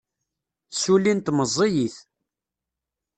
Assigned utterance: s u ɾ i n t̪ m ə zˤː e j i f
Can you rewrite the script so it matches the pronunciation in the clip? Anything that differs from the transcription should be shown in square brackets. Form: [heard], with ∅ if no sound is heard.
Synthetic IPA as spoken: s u [l] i n t̪ m ə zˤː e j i [θ]